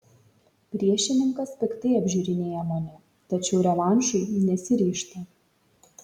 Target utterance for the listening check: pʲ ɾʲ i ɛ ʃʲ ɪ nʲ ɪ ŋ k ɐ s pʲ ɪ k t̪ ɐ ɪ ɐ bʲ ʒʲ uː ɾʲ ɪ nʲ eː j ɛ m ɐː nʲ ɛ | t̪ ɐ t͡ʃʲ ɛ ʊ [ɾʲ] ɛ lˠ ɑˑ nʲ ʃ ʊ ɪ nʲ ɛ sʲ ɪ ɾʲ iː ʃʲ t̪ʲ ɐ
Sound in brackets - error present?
no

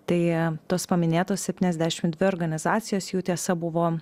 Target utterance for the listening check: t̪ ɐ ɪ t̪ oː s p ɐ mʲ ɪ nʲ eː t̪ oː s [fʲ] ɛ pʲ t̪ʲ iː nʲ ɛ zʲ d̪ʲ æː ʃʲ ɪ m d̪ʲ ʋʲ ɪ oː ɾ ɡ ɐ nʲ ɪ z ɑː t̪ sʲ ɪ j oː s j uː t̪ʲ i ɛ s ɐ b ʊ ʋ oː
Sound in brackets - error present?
yes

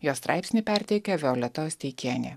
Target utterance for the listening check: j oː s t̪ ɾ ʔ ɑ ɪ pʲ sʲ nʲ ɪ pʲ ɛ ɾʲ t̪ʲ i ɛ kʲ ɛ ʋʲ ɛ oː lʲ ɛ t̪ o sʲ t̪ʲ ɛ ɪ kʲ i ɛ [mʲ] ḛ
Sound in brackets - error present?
yes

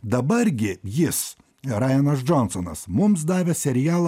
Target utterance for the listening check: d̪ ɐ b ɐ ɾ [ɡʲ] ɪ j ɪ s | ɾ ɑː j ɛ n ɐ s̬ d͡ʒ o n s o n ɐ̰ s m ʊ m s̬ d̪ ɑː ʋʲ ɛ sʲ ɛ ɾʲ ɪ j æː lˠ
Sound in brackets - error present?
no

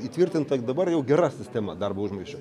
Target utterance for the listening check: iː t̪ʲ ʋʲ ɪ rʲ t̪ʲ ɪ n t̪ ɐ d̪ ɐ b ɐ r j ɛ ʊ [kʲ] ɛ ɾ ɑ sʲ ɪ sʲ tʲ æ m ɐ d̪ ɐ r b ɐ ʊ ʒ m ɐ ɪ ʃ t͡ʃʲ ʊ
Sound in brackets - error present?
yes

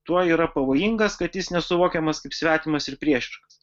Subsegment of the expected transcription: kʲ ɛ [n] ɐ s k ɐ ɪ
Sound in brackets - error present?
yes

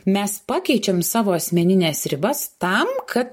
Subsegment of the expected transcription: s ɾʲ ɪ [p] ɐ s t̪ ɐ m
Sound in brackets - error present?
yes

